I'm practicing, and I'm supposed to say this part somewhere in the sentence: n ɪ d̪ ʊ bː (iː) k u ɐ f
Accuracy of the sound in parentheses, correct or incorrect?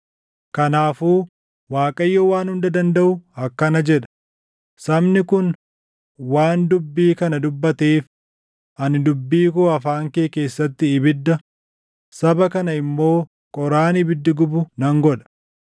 correct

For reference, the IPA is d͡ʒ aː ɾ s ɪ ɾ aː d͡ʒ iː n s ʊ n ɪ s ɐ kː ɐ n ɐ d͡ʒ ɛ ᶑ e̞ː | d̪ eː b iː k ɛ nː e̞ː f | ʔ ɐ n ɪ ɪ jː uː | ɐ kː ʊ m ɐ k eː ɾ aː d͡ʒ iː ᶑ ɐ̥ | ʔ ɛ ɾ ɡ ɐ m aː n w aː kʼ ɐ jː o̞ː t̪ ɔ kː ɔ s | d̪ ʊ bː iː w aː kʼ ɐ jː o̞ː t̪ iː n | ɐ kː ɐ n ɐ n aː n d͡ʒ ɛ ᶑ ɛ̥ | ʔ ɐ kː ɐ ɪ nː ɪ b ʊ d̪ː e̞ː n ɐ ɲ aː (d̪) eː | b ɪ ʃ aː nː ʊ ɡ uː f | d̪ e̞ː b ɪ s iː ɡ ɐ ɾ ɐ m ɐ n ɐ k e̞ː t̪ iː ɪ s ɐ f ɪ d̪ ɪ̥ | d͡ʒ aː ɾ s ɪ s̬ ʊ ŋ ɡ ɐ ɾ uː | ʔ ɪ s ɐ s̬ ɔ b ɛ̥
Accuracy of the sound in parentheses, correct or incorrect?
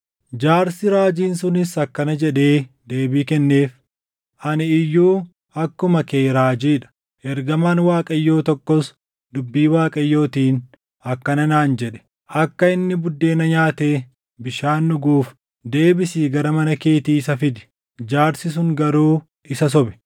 incorrect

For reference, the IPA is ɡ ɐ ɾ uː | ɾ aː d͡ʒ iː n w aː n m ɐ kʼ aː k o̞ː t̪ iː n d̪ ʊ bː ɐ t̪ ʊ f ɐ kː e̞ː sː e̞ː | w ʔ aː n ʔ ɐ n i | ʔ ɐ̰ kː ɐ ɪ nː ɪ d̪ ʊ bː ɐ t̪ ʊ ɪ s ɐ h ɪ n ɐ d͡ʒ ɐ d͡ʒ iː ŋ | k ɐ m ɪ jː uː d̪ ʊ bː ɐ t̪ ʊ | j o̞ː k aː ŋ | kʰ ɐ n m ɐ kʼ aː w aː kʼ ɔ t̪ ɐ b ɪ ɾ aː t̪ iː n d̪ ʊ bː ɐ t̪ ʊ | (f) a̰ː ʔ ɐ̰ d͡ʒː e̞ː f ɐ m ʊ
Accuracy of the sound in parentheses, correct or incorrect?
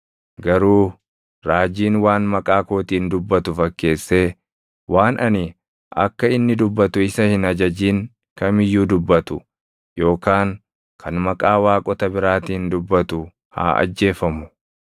incorrect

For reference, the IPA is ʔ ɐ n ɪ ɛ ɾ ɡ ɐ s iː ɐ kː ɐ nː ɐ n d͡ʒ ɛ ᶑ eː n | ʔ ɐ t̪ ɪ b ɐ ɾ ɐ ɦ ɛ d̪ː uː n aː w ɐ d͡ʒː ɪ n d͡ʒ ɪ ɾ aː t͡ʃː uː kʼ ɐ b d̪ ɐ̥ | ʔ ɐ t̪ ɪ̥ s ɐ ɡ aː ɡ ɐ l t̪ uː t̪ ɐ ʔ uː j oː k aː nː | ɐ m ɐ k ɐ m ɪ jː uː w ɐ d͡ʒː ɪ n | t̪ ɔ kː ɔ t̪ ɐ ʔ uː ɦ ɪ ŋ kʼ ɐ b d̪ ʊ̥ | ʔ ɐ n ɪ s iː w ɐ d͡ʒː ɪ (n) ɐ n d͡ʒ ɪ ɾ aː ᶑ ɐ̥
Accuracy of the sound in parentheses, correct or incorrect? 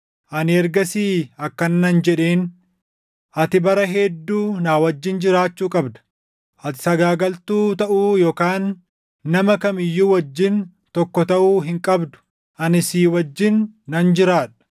incorrect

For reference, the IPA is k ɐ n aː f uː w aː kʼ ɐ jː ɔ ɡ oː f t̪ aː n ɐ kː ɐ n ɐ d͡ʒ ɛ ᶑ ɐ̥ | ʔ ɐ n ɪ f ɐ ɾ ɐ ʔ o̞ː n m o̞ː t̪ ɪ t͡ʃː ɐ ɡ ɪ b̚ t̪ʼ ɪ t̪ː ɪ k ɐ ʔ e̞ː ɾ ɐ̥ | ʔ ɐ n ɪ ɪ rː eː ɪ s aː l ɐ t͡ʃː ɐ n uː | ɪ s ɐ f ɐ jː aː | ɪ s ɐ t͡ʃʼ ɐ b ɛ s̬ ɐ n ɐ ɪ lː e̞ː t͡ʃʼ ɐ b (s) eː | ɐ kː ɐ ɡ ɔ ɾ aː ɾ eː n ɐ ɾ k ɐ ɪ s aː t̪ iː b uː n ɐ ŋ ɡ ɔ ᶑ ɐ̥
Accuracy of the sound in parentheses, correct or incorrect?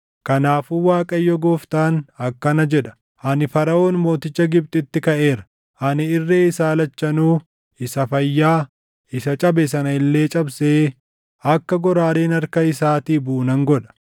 correct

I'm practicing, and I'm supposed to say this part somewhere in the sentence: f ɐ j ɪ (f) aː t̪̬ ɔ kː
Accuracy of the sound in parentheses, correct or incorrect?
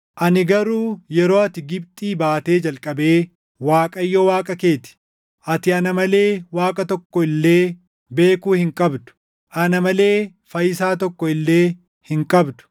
incorrect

